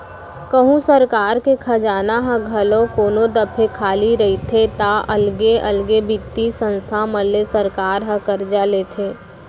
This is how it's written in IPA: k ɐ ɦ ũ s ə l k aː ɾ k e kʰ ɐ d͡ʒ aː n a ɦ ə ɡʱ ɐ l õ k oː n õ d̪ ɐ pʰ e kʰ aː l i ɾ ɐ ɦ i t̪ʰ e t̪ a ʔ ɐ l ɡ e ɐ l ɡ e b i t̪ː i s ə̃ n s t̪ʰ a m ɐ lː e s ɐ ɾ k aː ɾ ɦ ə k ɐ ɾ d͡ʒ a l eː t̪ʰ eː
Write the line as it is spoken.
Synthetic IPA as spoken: k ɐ ɦ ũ s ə ɾ k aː ɾ k e kʰ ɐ d͡ʒ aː n a ɦ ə ɡʱ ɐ l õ k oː n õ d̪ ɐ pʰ e kʰ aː l i ɾ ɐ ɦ i t̪ʰ e t̪ a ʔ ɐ l ɡ e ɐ l ɡ e b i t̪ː i s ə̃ n s t̪ʰ a m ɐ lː e s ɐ ɾ k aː ɾ ɦ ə k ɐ ɾ d͡ʒ a l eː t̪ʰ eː